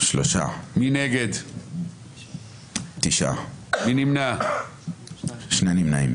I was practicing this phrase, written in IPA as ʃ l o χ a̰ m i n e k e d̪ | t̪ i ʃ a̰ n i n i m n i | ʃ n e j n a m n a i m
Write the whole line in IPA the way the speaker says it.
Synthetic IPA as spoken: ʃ l o ʃ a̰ m i n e ɡ e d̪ | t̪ i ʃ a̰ m i n i m n a | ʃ n e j n i m n a i m